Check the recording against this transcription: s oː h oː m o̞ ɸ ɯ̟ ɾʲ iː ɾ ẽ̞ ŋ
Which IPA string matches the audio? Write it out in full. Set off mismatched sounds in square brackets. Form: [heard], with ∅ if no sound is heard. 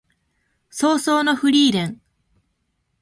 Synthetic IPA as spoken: s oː [s] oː [n] o̞ ɸ ɯ̟ ɾʲ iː ɾ ẽ̞ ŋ